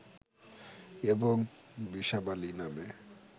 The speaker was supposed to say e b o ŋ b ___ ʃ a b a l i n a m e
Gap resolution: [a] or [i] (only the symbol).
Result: i